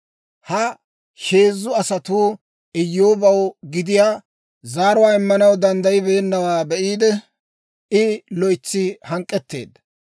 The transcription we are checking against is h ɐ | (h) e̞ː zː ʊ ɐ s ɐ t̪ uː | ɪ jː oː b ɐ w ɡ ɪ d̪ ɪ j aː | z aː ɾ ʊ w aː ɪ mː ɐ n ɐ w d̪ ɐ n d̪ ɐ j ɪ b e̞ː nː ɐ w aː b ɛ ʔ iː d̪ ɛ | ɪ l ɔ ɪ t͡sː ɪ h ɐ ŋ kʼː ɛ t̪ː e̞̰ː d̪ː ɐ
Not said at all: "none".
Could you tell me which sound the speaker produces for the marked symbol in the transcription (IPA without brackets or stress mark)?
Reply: ʃ